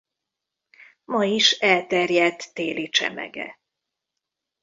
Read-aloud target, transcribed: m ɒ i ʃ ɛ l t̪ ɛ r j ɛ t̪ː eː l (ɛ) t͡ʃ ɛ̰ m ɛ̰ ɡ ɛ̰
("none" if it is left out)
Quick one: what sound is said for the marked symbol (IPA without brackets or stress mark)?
i